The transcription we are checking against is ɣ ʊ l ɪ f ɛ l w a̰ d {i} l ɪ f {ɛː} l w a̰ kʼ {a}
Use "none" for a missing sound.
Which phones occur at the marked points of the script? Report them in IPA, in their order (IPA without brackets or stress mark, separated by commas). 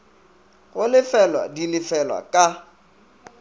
i, ɛ, a